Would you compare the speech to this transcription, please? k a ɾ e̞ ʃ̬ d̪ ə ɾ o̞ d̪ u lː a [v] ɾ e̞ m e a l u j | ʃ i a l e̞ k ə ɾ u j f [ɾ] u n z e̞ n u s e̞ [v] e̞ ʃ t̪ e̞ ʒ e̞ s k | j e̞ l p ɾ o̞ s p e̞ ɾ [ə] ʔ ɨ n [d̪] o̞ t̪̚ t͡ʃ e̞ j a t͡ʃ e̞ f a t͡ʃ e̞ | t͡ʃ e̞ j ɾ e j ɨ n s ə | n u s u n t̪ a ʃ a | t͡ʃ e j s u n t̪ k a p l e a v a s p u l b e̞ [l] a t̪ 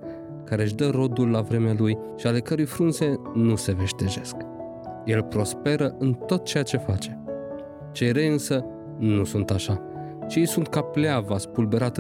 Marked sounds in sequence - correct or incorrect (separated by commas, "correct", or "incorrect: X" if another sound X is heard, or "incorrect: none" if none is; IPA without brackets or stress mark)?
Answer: correct, correct, correct, correct, incorrect: t̪, incorrect: ɾ